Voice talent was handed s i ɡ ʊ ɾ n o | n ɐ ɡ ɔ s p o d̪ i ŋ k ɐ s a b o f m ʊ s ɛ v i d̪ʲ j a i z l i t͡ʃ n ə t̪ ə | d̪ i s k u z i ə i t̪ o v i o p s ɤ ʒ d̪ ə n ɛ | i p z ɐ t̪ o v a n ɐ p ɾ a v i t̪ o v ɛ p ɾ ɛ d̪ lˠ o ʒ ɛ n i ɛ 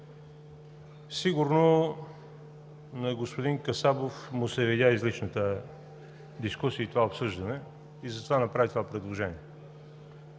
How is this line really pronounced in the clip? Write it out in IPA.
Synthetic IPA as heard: s i ɡ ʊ ɾ n o | n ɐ ɡ o s p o d̪ i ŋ k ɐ s a b o f m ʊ s ɛ v i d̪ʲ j a i z l i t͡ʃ n ə t̪ ə | d̪ i s k u s i ə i t̪ o v a o p s ɤ ʒ d̪ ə n ɛ | i z ɐ t̪ o v a n ɐ p ɾ a v i t̪ o v a p ɾ ɛ d̪ lˠ o ʒ ɛ n i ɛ